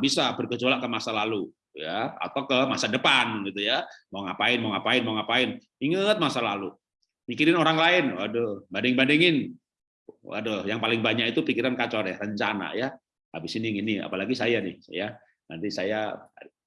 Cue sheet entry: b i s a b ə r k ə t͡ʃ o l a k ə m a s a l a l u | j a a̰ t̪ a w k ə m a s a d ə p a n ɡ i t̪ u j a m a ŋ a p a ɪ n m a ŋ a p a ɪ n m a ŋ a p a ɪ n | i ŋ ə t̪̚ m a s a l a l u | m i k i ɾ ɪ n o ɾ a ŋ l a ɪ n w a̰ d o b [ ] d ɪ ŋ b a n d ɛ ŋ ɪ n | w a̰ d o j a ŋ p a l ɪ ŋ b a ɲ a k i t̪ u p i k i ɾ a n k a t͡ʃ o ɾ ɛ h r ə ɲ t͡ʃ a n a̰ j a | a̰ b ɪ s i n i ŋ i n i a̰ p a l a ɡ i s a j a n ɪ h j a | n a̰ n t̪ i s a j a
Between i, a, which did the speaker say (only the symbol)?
a